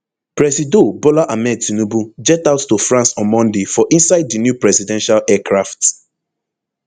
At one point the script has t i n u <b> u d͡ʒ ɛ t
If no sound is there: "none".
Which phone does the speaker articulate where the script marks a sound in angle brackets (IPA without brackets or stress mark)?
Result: b